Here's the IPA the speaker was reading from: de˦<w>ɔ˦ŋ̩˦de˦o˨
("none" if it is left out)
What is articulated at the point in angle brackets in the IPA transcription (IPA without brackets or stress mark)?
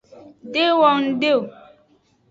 w